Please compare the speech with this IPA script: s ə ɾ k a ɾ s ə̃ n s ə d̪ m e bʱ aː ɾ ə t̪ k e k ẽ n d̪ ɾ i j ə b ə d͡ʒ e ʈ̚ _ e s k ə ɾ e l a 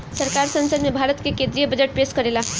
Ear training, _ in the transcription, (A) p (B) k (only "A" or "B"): A